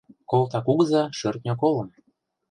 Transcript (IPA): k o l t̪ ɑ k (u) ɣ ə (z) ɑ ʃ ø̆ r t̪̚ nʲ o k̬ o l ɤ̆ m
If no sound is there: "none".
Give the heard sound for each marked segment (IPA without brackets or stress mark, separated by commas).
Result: u, z